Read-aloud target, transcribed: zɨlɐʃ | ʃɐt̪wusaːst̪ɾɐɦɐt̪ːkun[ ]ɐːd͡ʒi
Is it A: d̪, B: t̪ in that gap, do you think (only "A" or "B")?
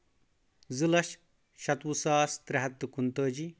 B